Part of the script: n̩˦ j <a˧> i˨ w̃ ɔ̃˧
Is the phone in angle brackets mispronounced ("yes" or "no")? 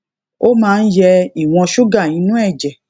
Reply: yes